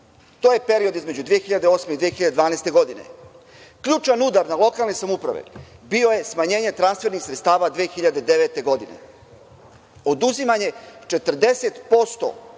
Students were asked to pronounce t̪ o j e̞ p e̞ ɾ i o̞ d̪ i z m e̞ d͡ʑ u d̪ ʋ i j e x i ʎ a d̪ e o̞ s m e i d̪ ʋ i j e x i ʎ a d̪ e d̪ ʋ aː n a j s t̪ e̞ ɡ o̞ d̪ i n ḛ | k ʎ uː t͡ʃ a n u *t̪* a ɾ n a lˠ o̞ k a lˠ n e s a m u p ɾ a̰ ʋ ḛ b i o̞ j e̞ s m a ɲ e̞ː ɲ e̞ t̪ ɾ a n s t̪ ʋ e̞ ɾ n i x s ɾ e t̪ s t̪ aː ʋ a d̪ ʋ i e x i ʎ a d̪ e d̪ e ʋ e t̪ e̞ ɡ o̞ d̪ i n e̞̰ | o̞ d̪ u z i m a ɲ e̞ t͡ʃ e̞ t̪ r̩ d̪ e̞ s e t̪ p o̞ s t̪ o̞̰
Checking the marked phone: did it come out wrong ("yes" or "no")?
yes